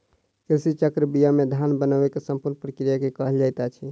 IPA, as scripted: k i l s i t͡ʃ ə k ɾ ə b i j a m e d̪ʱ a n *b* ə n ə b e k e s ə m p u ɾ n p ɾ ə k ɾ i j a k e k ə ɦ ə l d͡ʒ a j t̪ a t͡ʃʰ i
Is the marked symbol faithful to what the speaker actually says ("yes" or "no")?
yes